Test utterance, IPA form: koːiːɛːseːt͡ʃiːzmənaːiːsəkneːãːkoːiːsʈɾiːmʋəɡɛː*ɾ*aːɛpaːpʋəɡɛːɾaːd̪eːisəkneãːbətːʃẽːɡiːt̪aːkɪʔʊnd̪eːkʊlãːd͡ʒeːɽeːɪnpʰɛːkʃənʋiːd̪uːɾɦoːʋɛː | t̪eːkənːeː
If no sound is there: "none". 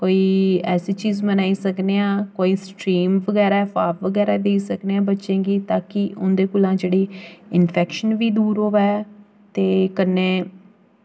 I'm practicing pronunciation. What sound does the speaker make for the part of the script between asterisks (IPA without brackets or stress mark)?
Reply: ɾ